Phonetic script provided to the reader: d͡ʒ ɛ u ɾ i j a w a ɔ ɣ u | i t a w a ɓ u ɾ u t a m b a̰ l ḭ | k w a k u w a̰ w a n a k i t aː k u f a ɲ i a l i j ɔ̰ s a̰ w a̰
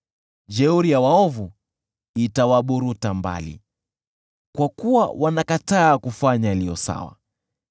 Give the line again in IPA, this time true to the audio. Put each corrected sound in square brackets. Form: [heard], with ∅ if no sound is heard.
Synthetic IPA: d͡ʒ ɛ u ɾ i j a w a ɔ [v] u | i t a w a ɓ u ɾ u t a m b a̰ l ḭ | k w a k u w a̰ w a n a k [a] t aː k u f a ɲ [a] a l i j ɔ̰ s a̰ w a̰